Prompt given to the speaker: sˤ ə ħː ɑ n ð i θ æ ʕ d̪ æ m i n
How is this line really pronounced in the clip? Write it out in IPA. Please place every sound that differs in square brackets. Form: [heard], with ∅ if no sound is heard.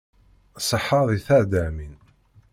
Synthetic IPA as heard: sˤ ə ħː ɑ [∅] ð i θ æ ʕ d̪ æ m i n